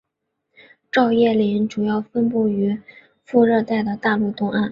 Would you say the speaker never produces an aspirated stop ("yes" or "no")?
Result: yes